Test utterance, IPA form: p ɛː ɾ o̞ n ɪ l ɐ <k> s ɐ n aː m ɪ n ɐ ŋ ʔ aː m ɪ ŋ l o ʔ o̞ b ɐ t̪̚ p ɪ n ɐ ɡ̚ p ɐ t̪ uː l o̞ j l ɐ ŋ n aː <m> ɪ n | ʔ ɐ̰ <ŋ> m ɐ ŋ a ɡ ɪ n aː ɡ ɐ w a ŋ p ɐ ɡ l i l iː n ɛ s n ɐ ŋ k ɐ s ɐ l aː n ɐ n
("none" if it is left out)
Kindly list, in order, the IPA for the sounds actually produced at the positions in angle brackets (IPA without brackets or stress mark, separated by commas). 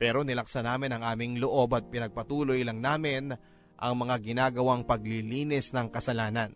k, m, ŋ